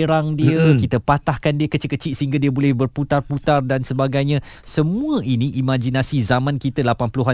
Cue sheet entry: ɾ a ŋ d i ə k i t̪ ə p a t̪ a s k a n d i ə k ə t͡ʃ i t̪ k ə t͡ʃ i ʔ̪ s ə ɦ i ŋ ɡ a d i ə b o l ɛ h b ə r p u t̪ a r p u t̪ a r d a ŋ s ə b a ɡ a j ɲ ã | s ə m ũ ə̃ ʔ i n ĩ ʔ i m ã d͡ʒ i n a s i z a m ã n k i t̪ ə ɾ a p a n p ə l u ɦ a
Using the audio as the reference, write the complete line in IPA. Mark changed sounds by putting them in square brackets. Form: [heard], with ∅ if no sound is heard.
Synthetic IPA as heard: ɾ a ŋ d i ə k i t̪ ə p a t̪ a [h] k a n d i ə k ə t͡ʃ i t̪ k ə t͡ʃ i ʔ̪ s ə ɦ i ŋ ɡ a d i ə b o l ɛ h b ə r p u t̪ a r p u t̪ a r d a [n] s ə b a ɡ a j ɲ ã | s ə m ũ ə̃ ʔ i n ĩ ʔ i m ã d͡ʒ i n a s i z a m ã n k i t̪ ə [l] a p a n p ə l u ɦ a